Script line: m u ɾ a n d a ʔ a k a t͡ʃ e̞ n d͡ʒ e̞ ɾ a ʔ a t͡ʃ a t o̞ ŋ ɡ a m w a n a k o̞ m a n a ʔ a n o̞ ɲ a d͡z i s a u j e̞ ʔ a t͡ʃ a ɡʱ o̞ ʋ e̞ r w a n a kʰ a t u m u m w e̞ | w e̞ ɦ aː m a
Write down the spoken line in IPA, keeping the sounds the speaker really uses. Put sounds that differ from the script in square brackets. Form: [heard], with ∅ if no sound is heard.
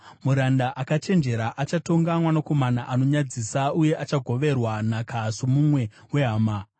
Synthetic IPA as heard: m u ɾ a n d a ʔ a k a t͡ʃ e̞ n d͡ʒ e̞ ɾ a ʔ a t͡ʃ a t o̞ ŋ ɡ a m w a n a k o̞ m a n a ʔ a n o̞ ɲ a d͡z i s a u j e̞ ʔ a t͡ʃ a ɡʱ o̞ ʋ e̞ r w a n a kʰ a [s] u m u m w e̞ | w e̞ ɦ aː m a

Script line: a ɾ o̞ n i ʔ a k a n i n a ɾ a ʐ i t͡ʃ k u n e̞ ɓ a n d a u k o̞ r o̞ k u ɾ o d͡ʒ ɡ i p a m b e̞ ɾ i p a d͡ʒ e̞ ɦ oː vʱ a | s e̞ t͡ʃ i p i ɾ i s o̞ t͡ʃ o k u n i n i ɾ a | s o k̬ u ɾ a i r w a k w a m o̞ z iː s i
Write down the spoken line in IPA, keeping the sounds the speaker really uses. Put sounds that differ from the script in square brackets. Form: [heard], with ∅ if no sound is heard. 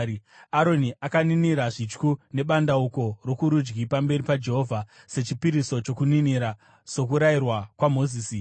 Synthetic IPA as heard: a ɾ o̞ n i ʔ a k a n i n [i] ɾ a ʐ i t͡ʃ k u n e̞ ɓ a n d a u k o̞ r o̞ k u ɾ [u] d͡ʒ ɡ i p a m b e̞ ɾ i p a d͡ʒ e̞ ɦ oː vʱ a | s e̞ t͡ʃ i p i ɾ i s o̞ t͡ʃ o k u n i n i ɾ a | s o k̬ u ɾ a i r w a k w a m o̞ z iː s i

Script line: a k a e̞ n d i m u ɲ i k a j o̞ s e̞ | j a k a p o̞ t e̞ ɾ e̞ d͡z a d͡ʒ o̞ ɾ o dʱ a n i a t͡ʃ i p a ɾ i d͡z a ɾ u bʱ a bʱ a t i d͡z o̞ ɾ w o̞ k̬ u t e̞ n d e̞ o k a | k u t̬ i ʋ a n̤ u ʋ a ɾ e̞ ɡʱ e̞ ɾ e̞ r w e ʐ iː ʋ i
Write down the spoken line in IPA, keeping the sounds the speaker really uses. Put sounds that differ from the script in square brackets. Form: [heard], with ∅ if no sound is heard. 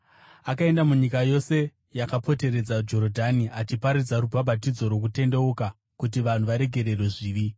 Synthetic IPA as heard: a k a e̞ n d [a] m u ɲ i k a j o̞ s e̞ | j a k a p o̞ t e̞ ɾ e̞ d͡z a d͡ʒ o̞ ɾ o dʱ a n i a t͡ʃ i p a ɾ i d͡z a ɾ u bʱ a bʱ a t i d͡z o̞ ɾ w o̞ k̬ u t e̞ n d e̞ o k a | k u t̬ i ʋ a n̤ u ʋ a ɾ e̞ ɡʱ e̞ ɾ e̞ r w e ʐ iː ʋ i

